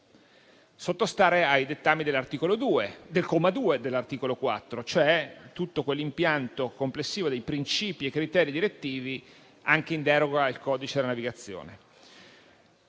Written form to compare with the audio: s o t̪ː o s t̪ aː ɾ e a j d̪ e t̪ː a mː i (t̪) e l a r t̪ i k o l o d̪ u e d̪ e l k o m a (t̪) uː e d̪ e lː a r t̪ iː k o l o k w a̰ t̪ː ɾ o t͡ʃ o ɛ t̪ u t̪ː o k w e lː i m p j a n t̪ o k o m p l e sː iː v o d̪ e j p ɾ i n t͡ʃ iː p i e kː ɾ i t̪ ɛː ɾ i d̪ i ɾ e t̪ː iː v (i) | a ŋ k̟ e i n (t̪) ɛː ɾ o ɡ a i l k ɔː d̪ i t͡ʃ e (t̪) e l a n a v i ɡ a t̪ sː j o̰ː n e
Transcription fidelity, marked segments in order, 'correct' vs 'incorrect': incorrect: d̪, incorrect: d̪, correct, incorrect: d̪, incorrect: d̪

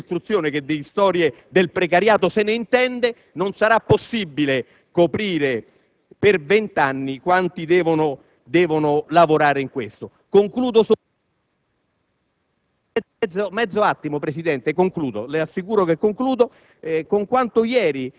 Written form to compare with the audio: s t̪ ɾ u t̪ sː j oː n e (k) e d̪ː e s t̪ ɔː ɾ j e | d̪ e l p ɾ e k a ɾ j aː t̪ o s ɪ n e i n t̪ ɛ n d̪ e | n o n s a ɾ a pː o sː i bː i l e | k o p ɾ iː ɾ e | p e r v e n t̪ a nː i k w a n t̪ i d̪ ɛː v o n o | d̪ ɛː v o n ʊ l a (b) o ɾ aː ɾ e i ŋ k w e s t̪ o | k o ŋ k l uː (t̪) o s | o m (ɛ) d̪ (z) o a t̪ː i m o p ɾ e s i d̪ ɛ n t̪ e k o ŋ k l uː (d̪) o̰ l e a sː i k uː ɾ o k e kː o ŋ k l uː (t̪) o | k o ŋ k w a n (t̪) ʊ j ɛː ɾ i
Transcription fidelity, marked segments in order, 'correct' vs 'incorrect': correct, incorrect: v, incorrect: d̪, correct, incorrect: zː, correct, incorrect: d̪, correct

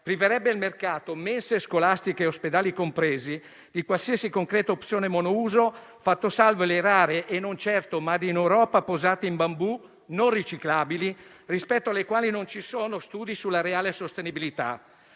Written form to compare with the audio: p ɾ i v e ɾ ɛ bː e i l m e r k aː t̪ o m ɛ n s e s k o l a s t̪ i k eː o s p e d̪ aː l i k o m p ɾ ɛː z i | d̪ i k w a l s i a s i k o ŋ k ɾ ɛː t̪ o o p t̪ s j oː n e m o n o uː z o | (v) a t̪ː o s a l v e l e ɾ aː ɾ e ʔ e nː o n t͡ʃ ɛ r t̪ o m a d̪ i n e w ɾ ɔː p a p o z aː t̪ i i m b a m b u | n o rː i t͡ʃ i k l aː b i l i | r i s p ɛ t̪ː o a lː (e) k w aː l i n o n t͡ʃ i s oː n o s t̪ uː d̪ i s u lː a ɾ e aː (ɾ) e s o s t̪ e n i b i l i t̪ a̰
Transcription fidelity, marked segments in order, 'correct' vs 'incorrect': incorrect: f, correct, incorrect: l

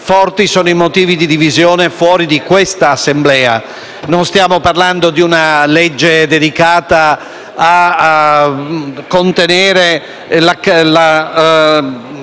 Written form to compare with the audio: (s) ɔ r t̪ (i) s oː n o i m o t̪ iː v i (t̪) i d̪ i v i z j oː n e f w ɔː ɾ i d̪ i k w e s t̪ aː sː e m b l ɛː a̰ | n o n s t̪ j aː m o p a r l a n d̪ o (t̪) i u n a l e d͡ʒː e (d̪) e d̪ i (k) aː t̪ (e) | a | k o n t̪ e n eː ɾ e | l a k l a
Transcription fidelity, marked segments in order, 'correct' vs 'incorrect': incorrect: f, correct, incorrect: d̪, incorrect: d̪, correct, correct, incorrect: a

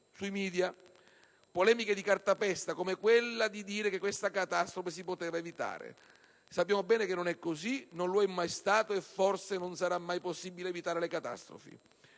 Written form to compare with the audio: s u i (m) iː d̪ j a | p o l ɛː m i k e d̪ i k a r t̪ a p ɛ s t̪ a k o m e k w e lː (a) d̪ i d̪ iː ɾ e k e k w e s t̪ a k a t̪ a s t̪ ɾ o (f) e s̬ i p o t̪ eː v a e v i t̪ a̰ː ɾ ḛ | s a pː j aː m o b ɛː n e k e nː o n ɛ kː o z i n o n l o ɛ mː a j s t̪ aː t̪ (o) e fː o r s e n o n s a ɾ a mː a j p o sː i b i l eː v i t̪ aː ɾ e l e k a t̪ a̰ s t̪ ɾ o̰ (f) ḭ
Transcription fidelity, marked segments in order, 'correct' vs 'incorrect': correct, correct, correct, correct, correct

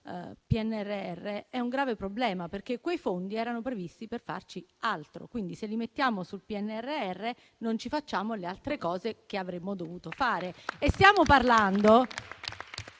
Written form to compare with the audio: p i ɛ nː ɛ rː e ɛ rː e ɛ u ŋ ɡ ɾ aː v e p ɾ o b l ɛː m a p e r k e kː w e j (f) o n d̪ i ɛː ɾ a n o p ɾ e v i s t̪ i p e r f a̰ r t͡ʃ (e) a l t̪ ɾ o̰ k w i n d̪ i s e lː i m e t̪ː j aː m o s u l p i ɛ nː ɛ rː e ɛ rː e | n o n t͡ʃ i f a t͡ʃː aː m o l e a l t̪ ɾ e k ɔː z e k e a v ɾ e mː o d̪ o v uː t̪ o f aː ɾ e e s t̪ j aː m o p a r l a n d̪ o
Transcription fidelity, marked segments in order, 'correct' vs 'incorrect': correct, incorrect: i

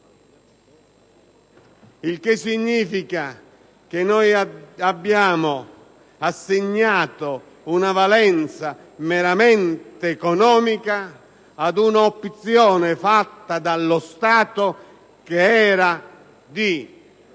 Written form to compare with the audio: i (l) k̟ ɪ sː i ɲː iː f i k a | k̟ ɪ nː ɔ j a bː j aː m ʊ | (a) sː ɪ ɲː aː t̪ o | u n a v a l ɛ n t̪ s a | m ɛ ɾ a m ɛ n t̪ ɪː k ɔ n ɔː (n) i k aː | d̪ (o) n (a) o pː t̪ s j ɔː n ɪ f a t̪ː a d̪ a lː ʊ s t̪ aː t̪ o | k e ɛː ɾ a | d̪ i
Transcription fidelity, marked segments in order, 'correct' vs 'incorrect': correct, correct, incorrect: m, incorrect: u, correct

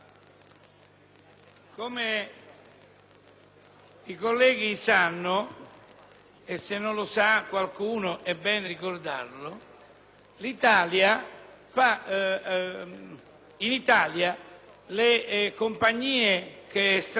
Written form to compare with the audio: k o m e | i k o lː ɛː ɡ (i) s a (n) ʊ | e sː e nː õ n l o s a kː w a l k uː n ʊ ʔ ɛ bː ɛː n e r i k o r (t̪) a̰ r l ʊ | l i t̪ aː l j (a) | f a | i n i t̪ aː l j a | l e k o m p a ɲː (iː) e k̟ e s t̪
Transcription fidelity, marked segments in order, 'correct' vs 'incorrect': correct, incorrect: nː, incorrect: d̪, correct, correct

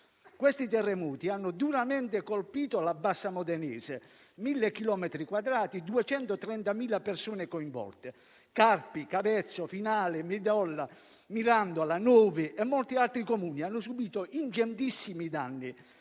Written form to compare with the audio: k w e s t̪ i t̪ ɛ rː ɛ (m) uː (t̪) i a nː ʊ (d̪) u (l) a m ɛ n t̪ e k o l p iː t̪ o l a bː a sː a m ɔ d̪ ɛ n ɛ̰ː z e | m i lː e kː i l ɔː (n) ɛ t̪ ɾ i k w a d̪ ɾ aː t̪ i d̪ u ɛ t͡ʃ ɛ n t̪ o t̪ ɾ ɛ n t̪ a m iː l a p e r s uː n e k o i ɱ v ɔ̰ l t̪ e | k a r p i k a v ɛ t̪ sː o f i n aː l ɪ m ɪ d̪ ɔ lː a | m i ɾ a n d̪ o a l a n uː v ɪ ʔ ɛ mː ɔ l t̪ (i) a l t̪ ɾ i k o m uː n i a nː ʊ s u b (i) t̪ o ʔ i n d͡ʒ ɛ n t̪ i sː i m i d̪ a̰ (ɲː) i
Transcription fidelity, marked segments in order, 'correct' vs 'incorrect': correct, correct, correct, incorrect: ɾ, incorrect: m, correct, incorrect: iː, incorrect: nː

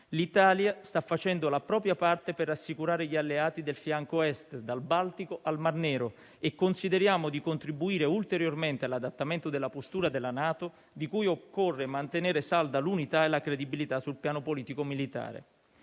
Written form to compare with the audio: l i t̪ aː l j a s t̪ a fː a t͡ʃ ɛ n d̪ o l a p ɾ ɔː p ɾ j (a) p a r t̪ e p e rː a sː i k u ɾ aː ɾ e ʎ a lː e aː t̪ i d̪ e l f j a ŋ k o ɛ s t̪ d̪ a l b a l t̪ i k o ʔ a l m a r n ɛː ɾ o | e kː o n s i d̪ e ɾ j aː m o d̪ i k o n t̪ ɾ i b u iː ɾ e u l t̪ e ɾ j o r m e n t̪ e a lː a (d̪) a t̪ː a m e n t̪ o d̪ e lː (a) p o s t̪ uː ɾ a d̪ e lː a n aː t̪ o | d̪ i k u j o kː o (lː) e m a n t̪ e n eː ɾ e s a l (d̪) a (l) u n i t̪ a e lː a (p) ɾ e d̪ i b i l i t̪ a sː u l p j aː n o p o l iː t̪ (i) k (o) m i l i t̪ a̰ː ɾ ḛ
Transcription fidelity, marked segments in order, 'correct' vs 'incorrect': correct, correct, correct, incorrect: rː, correct, correct, incorrect: k, correct, correct

